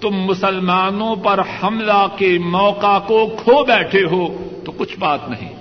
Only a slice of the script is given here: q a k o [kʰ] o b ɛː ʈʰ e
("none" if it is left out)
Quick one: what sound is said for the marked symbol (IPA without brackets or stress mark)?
kʰ